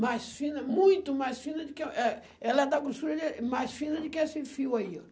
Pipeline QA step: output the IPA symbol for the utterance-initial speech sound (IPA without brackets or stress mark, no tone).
m